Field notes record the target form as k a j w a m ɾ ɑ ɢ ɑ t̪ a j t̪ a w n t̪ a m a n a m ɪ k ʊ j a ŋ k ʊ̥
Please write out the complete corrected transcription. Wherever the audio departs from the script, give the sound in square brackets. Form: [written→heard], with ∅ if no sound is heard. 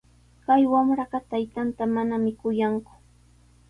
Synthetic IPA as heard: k a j w a m ɾ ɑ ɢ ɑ t̪ a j t̪ a [w→∅] n t̪ a m a n a m ɪ k ʊ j a ŋ k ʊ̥

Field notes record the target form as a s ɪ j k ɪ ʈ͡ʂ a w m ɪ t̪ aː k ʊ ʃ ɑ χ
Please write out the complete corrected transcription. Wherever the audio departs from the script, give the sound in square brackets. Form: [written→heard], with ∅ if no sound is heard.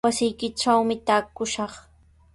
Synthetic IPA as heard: a s ɪ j k ɪ ʈ͡ʂ a w m ɪ t̪ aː k ʊ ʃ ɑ χ

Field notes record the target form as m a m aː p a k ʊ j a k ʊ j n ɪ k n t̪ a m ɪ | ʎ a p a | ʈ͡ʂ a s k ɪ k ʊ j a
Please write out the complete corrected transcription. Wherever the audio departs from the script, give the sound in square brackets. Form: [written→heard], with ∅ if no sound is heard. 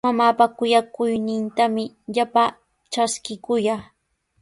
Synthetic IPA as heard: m a m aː p a k ʊ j a k ʊ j n ɪ [k→∅] n t̪ a m ɪ | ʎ a p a | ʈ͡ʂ a s k ɪ k ʊ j a

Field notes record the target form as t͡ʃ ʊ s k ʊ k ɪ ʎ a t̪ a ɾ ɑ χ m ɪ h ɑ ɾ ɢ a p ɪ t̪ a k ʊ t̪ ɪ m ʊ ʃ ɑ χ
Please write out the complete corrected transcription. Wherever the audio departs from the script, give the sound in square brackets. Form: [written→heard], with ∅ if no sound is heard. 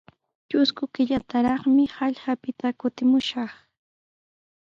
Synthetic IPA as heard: t͡ʃ ʊ s k ʊ k ɪ ʎ a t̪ a ɾ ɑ χ m ɪ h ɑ [ɾ→ʎ] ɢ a p ɪ t̪ a k ʊ t̪ ɪ m ʊ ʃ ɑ χ

